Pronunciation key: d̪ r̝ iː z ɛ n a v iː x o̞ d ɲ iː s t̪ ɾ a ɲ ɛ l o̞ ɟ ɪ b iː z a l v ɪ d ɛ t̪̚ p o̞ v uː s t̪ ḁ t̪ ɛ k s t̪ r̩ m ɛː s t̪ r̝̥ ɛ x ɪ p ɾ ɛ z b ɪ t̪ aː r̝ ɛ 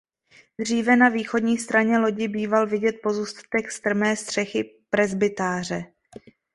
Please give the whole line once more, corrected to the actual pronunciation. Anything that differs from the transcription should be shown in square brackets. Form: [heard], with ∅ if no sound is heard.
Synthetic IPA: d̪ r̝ iː [v] ɛ n a v iː x o̞ d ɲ iː s t̪ ɾ a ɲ ɛ l o̞ ɟ ɪ b iː [v] a l v ɪ [ɟ] ɛ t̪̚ p o̞ [z] uː s t̪ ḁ t̪ ɛ k s t̪ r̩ m ɛː s t̪ r̝̥ ɛ x ɪ p ɾ ɛ z b ɪ t̪ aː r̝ ɛ